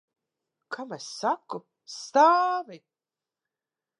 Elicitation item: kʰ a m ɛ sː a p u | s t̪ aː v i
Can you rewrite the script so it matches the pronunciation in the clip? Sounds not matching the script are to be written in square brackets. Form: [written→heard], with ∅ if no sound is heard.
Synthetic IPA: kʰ a m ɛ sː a [p→k] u | s t̪ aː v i